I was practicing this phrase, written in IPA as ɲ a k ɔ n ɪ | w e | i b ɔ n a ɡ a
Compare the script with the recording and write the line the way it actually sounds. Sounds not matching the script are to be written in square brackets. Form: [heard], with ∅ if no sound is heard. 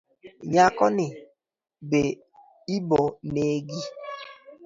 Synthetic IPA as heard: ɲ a k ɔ n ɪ | [b] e | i b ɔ n [e] ɡ [i]